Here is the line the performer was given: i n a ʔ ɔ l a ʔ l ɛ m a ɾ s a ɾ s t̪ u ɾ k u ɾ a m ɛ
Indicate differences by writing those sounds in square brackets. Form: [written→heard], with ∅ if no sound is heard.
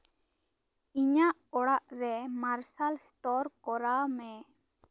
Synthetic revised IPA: i [n→ɲ] a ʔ ɔ [l→ɽ] a ʔ [l→ɾ] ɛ m a ɾ s a [ɾ→l] s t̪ [u→ɔ] ɾ k [u→ɔ] ɾ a m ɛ